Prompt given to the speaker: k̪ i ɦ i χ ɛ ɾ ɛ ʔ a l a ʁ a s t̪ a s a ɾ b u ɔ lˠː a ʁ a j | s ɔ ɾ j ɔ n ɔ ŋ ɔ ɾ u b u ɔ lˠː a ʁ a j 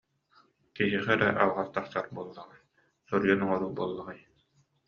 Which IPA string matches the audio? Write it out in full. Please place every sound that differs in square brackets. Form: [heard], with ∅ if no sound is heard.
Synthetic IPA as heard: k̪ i ɦ i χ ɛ ɾ ɛ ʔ a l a ʁ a s t̪ a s a ɾ b u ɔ lˠː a ʁ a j | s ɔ ɾ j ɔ n ɔ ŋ ɔ ɾ u b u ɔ lˠː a ʁ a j